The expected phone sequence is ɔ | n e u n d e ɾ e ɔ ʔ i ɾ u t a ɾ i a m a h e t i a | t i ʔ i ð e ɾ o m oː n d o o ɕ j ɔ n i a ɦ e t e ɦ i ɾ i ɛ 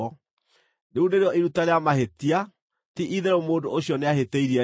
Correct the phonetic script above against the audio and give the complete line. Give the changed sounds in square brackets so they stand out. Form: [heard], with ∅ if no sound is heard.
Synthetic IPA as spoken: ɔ | n e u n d e ɾ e ɔ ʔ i ɾ u t a ɾ [e] a m a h e t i a | t i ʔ i ð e ɾ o m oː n d o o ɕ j ɔ n [e] a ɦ e t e [∅] i ɾ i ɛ